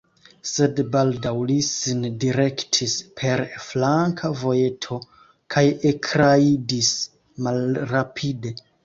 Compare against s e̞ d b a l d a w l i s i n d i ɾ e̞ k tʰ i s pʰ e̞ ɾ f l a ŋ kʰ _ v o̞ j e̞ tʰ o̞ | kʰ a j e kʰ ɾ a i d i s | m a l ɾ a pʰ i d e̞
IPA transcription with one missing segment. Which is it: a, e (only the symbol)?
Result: a